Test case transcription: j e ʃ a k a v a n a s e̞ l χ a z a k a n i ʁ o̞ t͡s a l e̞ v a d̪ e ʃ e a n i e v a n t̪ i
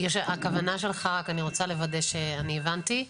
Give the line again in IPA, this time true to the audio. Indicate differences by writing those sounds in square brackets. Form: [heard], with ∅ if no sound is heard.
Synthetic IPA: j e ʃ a k a v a n a [ʃ] e̞ l χ a [ʁ] a k a n i ʁ o̞ t͡s a l e̞ v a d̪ e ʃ e a n i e v a n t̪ i